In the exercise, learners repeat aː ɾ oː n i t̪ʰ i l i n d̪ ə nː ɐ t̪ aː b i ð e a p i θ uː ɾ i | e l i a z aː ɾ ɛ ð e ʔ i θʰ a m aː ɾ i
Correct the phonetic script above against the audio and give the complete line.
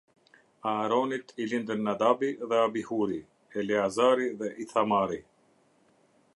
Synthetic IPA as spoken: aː ɾ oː n i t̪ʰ i l i n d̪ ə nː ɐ d̪ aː b i ð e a b i h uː ɾ i | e l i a z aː ɾ i ð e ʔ i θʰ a m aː ɾ i